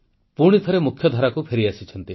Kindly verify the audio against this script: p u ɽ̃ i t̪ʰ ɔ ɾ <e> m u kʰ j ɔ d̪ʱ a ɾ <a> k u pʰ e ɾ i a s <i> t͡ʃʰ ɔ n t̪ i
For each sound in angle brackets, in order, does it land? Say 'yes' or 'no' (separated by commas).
yes, yes, yes